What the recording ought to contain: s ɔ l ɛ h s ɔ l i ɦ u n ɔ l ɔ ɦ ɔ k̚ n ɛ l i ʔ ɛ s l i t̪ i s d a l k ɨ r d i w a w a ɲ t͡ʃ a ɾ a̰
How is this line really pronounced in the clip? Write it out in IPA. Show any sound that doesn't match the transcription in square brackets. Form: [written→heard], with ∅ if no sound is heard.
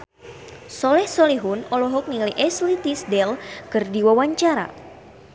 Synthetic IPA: s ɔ l ɛ h s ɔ l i ɦ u n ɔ l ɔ ɦ ɔ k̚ n [ɛ→i] l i ʔ ɛ s l i t̪ i s d [a→ɛ] l k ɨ r d i w a w a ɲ t͡ʃ a ɾ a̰